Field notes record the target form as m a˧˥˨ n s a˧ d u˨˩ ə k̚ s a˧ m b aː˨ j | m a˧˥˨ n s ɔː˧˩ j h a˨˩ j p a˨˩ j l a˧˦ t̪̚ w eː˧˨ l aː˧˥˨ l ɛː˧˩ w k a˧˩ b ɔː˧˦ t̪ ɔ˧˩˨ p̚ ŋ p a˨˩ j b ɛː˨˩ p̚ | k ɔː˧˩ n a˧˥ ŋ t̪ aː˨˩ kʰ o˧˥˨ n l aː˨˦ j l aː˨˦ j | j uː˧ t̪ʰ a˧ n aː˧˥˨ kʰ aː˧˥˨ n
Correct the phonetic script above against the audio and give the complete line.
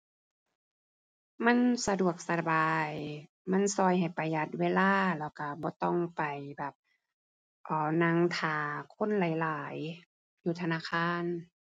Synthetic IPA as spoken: m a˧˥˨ n s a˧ d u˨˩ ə k̚ s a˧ b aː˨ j | m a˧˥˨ n s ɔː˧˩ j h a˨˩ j p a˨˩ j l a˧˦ t̪̚ w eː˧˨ l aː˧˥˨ l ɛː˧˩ w k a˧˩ b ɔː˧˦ t̪ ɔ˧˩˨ ŋ p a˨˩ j b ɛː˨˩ p̚ | ʔ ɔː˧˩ n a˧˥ ŋ t̪ʰ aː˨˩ kʰ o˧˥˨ n l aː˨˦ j l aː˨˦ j | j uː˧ t̪ʰ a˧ n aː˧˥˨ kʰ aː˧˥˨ n